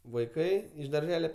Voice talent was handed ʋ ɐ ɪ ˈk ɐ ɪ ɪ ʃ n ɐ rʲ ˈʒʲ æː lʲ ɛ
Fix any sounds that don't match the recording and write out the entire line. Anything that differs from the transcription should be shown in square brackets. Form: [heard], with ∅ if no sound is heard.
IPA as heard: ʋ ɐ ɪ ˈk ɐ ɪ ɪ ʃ [d] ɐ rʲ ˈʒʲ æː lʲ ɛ